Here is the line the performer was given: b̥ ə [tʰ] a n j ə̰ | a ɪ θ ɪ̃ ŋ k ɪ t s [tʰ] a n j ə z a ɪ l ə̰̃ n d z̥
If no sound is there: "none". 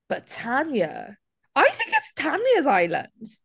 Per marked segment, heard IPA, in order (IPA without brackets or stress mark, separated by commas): tʰ, tʰ